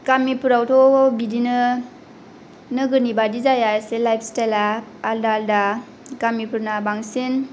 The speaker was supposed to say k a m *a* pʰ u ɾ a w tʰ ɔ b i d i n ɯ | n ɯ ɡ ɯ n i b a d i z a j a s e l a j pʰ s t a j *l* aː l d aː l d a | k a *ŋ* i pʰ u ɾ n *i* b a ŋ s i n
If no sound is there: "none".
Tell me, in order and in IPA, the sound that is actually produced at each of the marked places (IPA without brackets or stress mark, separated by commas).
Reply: i, l, m, a